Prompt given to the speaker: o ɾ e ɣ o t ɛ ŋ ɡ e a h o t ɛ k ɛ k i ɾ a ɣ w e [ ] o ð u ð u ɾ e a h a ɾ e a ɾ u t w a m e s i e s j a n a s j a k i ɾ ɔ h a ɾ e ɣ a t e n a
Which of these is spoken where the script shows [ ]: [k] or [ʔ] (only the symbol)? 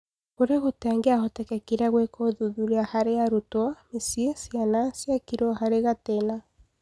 k